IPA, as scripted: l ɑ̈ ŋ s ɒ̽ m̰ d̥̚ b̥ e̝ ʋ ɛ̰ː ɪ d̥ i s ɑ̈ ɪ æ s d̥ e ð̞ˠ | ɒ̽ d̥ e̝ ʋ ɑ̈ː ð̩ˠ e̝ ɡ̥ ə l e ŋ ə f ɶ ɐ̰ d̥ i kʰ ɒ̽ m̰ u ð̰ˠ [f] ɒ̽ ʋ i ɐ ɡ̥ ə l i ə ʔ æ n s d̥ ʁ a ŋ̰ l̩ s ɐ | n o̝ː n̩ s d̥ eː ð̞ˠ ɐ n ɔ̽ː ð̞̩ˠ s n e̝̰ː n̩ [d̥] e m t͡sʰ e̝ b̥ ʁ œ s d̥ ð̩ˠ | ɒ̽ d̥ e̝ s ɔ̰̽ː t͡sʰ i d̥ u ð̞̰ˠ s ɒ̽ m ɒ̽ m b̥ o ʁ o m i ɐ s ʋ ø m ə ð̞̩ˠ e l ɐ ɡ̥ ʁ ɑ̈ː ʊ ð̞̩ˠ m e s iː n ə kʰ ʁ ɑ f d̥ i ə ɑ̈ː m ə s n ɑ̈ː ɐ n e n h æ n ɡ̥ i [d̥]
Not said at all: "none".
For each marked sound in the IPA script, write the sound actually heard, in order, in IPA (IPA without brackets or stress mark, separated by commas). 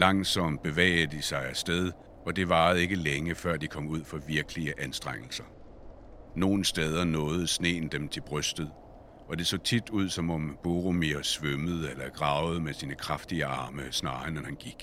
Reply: f, d̥, ɡ̥